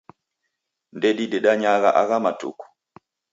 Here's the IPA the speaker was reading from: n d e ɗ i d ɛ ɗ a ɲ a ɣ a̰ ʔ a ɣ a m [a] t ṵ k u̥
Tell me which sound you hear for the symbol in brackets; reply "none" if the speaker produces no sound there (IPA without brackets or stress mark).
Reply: a